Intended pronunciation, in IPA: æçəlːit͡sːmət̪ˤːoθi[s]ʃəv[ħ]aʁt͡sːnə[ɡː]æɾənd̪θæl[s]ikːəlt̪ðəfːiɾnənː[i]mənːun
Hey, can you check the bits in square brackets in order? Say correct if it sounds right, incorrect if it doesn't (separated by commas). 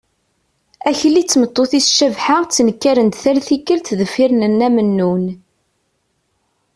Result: correct, correct, incorrect, incorrect, incorrect